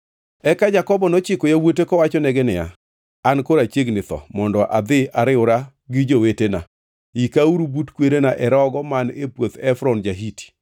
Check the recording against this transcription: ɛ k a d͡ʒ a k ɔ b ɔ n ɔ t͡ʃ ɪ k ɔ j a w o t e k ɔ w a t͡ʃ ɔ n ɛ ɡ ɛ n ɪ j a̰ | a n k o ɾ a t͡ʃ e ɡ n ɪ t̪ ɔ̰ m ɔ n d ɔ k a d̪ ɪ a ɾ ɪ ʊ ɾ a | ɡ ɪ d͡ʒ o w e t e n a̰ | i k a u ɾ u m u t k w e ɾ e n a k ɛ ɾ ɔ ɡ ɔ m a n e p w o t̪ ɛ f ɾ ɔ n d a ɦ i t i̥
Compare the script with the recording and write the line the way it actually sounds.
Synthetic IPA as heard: ɛ k a d͡ʒ a k ɔ b ɔ n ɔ t͡ʃ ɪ k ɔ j a w o t e k ɔ w a t͡ʃ ɔ n ɛ ɡ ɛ n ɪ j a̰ | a n k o ɾ a t͡ʃ e ɡ n ɪ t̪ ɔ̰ m ɔ n d ɔ ʔ a d̪ ɪ a ɾ ɪ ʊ ɾ a | ɡ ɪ d͡ʒ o w e t e n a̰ | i k a u ɾ u b u t k w e ɾ e n a ʔ ɛ ɾ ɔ ɡ ɔ m a n e p w o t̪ ɛ f ɾ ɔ n d͡ʒ a ɦ i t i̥